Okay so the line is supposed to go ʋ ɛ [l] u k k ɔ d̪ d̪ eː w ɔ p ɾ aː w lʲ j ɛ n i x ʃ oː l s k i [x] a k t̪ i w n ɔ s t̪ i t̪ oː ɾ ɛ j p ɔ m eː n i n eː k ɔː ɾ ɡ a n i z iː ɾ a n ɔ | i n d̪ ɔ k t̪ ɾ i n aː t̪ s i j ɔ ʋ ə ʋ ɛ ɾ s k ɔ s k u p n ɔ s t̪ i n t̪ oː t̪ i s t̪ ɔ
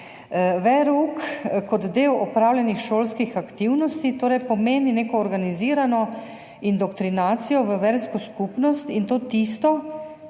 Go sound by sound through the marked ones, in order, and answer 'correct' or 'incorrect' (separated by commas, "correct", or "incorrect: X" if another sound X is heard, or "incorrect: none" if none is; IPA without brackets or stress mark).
incorrect: ɾ, correct